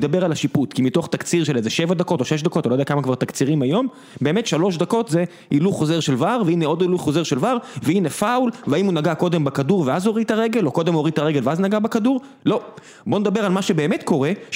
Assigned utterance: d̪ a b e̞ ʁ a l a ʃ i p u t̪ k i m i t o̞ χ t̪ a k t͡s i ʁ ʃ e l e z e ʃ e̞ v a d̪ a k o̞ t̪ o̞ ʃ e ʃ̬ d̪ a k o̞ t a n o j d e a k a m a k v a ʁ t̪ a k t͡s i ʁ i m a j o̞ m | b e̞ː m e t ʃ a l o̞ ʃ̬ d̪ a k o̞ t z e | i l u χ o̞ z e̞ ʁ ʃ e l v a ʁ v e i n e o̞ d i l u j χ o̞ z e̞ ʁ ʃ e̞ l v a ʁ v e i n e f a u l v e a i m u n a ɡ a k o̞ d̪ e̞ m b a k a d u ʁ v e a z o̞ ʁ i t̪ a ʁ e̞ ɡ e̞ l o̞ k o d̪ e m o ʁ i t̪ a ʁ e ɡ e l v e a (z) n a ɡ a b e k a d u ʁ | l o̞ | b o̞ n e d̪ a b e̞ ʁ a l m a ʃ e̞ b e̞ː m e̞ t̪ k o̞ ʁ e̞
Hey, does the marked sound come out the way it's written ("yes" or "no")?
yes